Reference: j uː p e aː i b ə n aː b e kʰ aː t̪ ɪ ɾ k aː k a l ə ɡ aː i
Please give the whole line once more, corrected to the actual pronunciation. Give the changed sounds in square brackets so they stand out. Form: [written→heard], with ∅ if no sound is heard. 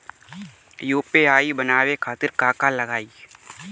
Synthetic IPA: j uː p e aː i b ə n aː [b→w] e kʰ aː t̪ ɪ ɾ k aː k a l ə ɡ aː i